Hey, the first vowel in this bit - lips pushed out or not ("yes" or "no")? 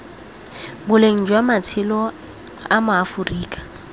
yes